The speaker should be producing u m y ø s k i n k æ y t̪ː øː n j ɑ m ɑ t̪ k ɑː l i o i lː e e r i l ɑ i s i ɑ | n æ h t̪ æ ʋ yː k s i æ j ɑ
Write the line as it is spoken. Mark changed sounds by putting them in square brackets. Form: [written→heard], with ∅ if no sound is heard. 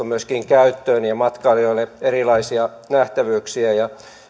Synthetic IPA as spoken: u m y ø s k i [n→ŋ] k æ y t̪ː øː n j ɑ m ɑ t̪ k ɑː l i o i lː e e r i l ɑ i s i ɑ | n æ h t̪ æ ʋ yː k s i æ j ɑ